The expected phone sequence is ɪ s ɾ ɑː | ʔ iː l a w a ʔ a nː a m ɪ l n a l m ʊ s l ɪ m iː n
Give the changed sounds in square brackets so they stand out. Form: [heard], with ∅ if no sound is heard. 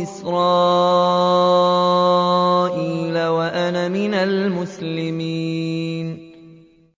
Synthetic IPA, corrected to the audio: ɪ s ɾ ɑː | ʔ iː l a w a ʔ a [n] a m ɪ [∅] n a l m ʊ s l ɪ m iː n